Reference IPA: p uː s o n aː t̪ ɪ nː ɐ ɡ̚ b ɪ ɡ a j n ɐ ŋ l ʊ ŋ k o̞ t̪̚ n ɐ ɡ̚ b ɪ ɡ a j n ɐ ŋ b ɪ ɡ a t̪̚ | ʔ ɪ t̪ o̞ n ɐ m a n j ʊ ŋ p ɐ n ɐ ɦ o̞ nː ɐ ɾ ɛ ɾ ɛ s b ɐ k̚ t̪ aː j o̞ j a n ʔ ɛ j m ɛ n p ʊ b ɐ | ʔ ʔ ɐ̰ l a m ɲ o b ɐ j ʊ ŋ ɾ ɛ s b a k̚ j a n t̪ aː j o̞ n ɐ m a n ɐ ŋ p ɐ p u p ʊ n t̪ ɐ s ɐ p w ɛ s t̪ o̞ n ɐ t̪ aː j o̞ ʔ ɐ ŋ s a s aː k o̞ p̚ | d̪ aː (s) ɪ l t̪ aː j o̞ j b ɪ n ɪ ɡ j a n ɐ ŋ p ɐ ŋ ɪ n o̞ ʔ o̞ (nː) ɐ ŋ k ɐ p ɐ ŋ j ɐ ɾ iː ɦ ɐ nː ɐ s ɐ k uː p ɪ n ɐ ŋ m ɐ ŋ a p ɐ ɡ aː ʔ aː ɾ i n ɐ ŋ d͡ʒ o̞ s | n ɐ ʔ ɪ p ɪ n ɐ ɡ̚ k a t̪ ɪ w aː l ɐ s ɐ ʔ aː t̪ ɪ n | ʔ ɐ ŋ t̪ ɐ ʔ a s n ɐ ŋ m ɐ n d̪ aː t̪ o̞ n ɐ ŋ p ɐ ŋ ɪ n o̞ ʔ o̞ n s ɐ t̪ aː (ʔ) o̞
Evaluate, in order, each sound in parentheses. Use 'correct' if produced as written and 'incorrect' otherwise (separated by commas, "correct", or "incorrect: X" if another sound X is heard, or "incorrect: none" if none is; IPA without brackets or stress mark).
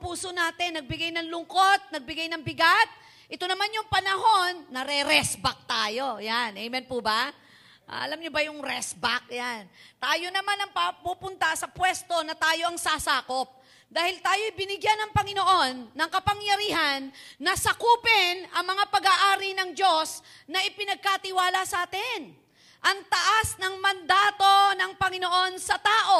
incorrect: h, correct, correct